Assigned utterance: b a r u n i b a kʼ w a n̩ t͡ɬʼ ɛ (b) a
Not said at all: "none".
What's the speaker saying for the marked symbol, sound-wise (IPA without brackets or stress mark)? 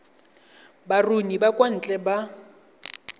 b